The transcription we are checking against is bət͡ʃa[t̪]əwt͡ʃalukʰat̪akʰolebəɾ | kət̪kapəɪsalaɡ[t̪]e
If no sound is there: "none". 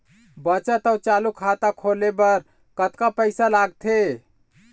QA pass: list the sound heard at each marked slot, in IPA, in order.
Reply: t̪, t̪ʰ

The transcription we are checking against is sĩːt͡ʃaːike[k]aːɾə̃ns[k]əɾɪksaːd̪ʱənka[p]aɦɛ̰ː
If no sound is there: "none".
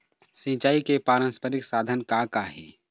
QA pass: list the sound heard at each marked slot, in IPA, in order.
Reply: p, p, k

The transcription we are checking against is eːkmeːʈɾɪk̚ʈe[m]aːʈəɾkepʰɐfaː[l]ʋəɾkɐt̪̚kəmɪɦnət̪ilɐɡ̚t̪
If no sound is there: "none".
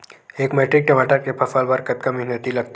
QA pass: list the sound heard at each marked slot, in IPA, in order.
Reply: m, l

